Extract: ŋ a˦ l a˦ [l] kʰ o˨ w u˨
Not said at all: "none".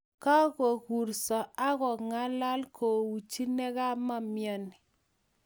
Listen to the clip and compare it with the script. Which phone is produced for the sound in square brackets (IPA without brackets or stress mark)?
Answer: l